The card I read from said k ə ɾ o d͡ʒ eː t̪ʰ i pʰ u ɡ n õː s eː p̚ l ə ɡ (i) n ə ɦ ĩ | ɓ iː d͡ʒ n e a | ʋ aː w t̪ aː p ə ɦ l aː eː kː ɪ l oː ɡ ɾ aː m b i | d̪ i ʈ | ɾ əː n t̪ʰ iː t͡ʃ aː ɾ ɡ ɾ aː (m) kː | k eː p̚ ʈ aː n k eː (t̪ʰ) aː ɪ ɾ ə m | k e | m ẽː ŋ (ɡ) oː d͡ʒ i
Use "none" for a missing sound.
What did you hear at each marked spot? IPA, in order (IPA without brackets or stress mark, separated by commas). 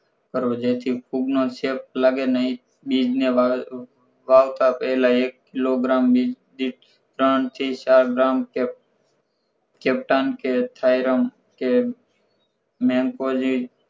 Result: e, m, t̪ʰ, k